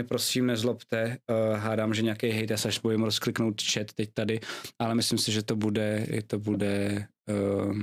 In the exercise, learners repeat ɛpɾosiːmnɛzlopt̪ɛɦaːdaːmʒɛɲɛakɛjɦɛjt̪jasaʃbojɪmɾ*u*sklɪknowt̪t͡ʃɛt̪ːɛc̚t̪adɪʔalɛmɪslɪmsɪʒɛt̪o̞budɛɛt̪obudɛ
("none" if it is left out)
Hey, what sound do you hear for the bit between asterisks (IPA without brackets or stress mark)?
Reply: o